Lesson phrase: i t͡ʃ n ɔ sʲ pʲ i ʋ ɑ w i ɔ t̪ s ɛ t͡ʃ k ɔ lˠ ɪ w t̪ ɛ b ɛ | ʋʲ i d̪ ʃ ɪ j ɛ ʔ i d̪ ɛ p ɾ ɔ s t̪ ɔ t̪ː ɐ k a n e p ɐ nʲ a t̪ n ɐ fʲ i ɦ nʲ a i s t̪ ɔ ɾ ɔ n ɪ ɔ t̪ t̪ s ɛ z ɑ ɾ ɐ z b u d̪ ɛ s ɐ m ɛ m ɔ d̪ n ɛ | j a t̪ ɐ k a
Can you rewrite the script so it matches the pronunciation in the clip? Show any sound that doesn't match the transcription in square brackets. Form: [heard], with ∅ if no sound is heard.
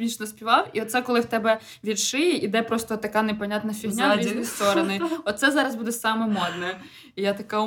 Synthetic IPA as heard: i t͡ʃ n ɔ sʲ pʲ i ʋ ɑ w i ɔ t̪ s ɛ [∅] k ɔ lˠ ɪ w t̪ ɛ b ɛ | ʋʲ i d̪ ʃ ɪ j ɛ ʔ i d̪ ɛ p ɾ ɔ s t̪ ɔ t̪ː ɐ k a n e p ɐ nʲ a t̪ n ɐ fʲ i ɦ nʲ a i s t̪ ɔ ɾ ɔ n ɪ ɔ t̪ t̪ s ɛ z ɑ ɾ ɐ z b u d̪ ɛ s [ɑ] m ɛ m ɔ d̪ n ɛ | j a t̪ ɐ k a